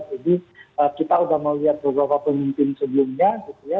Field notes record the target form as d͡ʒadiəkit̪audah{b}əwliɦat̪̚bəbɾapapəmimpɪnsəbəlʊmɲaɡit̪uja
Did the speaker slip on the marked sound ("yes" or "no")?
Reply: yes